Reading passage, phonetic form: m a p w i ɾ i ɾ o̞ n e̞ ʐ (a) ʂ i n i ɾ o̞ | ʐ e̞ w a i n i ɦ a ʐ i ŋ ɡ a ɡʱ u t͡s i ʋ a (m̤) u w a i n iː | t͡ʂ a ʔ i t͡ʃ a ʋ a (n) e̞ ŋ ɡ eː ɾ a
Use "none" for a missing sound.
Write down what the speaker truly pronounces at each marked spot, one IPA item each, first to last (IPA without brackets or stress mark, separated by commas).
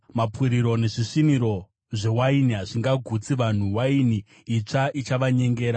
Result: i, n̤, ɲ